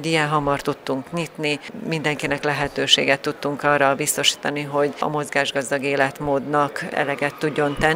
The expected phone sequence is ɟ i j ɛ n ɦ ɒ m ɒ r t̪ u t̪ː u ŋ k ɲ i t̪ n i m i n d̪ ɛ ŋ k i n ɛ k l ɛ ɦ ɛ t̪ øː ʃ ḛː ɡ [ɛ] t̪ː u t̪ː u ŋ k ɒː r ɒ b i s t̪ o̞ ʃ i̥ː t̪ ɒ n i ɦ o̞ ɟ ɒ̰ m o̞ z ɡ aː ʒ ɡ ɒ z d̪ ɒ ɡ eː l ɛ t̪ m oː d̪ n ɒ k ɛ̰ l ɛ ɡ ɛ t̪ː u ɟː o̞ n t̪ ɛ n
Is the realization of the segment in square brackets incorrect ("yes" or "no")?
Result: no